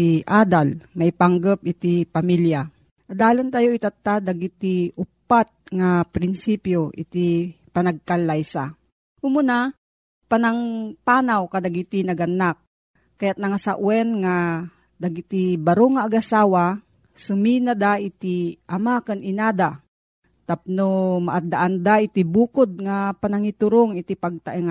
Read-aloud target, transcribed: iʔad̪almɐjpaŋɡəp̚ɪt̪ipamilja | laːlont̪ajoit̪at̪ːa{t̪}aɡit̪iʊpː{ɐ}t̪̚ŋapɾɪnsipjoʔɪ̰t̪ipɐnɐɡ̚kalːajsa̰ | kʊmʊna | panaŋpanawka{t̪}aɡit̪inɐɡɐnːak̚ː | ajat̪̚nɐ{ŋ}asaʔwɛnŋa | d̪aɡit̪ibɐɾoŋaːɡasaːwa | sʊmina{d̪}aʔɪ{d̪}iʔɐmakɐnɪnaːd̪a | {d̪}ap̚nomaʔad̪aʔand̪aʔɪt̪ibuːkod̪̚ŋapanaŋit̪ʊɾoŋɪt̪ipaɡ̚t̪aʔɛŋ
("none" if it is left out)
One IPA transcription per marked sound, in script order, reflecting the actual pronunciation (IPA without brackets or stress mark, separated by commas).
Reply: d̪, a, d̪, ŋ, d̪, t̪, t̪